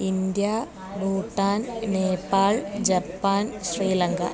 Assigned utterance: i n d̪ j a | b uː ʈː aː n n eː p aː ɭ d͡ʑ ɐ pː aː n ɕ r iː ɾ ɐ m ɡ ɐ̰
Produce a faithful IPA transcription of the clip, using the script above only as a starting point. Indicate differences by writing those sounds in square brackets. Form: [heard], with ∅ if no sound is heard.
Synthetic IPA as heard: i n d̪ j a | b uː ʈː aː n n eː p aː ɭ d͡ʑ ɐ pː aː n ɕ r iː [l] ɐ [ŋ] ɡ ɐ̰